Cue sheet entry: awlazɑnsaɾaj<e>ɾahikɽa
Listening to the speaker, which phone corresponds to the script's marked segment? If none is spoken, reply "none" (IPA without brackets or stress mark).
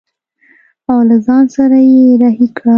e